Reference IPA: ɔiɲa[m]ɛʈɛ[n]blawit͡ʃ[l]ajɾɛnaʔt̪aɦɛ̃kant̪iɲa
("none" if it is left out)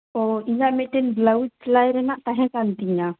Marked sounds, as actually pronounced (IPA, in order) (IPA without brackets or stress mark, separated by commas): m, n, l